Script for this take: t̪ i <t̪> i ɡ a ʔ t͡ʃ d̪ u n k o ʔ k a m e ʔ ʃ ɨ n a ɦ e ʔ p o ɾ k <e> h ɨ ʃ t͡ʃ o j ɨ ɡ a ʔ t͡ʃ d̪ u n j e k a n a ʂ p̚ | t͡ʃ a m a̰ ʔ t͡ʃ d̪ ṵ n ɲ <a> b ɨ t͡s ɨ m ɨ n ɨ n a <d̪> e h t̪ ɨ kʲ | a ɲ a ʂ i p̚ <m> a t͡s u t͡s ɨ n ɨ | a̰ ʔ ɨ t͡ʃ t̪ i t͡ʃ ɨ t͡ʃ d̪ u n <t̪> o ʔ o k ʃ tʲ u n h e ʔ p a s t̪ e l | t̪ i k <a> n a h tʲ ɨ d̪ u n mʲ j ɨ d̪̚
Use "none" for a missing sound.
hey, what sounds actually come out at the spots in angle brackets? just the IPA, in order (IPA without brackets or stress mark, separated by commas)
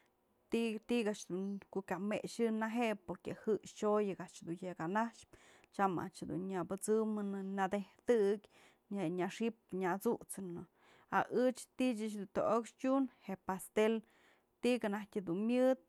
t̪, e, a, d̪, ɲ, t̪, a